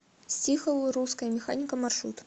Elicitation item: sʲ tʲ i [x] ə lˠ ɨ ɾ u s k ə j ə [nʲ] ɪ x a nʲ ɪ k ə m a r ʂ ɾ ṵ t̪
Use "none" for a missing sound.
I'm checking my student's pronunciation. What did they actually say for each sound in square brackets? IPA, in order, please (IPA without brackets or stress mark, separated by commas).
x, mʲ